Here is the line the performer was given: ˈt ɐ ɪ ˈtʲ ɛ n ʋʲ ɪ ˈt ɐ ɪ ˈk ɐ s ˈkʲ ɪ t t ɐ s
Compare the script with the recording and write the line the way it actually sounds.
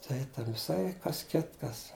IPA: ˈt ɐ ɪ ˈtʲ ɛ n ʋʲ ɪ ˈs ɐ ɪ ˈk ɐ s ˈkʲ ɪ t k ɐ s